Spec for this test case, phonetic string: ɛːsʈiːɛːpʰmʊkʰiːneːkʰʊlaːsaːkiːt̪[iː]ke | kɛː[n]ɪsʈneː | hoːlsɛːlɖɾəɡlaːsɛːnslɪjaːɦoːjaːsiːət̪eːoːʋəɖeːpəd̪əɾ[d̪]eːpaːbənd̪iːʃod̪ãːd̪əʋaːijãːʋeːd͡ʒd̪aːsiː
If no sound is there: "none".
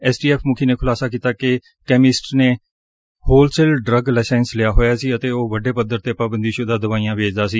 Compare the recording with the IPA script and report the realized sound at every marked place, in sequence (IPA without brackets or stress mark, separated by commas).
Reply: aː, m, t̪